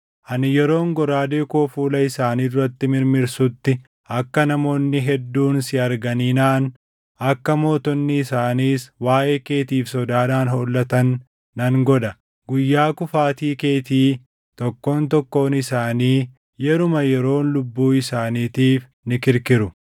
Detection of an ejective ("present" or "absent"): absent